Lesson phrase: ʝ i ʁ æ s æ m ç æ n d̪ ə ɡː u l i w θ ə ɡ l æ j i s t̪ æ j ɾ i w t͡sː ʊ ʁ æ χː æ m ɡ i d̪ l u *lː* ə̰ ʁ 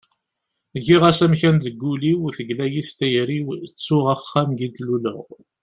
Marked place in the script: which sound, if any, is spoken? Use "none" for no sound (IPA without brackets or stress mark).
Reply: l